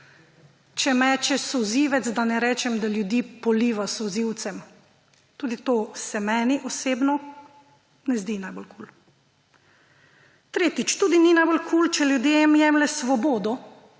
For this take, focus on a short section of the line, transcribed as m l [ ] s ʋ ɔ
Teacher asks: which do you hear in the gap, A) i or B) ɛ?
B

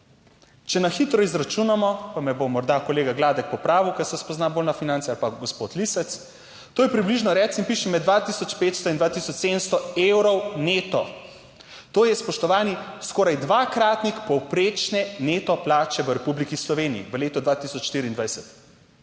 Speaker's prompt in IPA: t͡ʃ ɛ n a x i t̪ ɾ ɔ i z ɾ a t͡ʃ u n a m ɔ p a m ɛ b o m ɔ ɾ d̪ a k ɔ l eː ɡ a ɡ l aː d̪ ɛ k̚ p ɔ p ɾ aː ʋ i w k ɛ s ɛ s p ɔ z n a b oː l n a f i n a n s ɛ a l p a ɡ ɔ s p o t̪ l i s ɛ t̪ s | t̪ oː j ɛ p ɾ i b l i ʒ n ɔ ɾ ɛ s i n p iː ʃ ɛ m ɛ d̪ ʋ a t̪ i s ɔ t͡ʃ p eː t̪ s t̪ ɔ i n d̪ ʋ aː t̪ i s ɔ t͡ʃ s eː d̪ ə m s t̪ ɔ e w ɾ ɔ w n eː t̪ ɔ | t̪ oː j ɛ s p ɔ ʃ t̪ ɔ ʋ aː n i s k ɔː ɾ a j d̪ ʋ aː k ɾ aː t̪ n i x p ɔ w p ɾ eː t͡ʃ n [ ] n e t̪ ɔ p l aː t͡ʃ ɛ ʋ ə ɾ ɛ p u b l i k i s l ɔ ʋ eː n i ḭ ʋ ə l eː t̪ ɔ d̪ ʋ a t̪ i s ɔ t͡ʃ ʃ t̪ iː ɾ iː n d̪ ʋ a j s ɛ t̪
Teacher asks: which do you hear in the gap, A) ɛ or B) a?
A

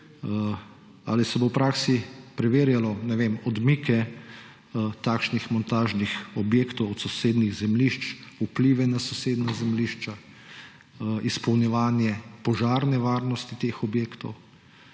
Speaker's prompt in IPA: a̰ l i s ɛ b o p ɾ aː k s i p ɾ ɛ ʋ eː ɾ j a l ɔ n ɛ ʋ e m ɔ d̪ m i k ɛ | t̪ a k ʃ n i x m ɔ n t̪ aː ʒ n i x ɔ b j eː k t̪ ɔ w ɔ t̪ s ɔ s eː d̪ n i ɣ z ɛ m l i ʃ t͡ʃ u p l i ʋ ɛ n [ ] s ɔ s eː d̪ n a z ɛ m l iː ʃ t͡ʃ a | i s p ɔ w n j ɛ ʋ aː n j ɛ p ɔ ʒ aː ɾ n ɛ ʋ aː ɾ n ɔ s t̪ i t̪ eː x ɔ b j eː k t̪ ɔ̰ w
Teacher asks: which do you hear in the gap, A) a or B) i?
A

